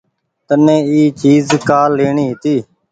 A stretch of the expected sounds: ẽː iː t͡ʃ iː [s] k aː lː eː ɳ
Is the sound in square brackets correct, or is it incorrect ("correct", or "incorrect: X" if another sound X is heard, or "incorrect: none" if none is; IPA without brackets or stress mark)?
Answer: incorrect: z